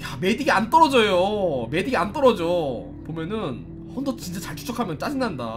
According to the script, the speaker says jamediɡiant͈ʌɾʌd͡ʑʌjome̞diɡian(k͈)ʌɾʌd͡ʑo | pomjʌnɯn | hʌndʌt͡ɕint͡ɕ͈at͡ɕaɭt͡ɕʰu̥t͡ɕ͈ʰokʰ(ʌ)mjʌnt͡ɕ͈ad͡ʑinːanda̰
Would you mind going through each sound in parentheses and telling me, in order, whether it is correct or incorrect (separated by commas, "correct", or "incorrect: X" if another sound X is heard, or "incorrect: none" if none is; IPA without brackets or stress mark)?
incorrect: t͈, incorrect: a